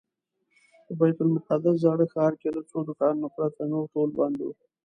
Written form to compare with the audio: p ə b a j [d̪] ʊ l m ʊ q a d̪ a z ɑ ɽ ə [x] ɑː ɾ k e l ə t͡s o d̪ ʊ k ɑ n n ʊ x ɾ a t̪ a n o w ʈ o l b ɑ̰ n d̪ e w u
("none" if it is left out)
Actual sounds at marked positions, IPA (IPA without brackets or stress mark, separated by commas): t̪, x